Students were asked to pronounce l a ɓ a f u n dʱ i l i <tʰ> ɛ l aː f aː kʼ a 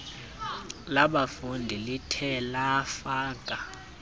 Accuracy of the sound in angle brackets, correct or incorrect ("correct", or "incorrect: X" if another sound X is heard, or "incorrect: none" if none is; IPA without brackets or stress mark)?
correct